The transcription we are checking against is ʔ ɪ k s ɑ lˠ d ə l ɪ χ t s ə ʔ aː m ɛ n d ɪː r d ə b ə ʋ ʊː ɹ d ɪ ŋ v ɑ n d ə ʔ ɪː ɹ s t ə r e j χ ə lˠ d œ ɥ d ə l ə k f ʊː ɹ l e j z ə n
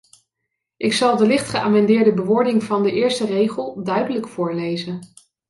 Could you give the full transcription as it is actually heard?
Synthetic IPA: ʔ ɪ k s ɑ lˠ d ə l ɪ χ t χ ə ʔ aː m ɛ n d ɪː ɹ d ə b ə ʋ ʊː ɹ d ɪ ŋ v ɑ n d ə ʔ ɪː ɹ s t ə r e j χ ə lˠ d œ ɥ d ə l ə k f ʊː ɹ l e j z ə n